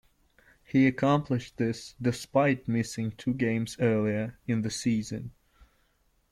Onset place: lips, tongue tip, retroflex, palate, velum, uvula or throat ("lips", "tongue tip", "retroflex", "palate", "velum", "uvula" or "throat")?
throat